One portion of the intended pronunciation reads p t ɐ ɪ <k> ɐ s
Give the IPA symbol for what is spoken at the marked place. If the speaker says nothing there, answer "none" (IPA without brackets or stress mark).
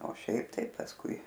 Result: p